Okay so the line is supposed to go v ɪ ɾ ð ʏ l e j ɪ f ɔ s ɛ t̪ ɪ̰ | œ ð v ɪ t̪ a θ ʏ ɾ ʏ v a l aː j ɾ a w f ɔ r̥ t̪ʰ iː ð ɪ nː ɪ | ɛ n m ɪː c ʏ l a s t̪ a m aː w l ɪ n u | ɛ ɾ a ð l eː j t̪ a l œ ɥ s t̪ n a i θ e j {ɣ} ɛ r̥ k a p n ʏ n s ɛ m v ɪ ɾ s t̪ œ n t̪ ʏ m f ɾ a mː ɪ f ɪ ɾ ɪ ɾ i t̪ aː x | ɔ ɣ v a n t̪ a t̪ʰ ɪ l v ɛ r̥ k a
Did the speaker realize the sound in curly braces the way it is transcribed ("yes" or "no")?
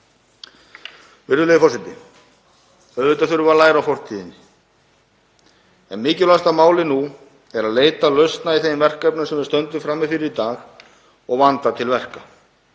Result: no